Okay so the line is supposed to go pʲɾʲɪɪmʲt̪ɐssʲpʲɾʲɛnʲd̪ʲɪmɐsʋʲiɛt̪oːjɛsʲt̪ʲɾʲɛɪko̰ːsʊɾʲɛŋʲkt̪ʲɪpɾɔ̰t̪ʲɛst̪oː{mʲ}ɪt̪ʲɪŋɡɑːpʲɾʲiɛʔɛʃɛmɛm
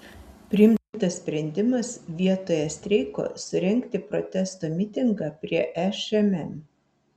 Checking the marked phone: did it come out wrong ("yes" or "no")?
no